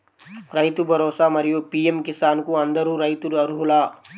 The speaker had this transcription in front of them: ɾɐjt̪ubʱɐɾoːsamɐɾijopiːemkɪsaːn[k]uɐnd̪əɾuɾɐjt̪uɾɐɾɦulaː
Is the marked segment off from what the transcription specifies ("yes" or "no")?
no